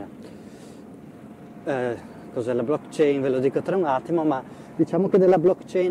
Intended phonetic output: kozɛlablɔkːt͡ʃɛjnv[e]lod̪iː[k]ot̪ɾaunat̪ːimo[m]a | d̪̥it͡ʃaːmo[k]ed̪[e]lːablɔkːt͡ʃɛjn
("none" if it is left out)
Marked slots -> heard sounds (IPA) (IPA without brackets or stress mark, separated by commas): e, k, m, k, e